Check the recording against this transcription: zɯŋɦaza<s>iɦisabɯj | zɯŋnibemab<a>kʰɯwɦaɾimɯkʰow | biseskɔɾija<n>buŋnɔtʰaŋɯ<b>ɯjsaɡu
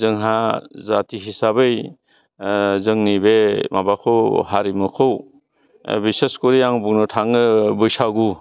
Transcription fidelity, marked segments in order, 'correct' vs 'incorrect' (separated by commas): incorrect, correct, incorrect, correct